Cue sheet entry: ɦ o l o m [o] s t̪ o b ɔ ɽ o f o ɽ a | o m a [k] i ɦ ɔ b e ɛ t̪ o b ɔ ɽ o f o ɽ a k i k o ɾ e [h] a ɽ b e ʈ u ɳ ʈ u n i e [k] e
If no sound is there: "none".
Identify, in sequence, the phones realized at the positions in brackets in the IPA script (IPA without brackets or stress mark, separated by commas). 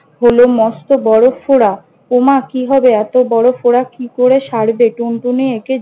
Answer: ɔ, k, ʃ, k